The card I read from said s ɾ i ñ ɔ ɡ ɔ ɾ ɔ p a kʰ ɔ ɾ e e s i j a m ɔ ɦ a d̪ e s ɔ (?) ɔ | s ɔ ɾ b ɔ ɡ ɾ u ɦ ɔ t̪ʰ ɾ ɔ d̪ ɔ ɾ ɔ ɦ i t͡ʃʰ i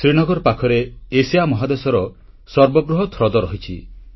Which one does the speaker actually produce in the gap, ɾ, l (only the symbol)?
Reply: ɾ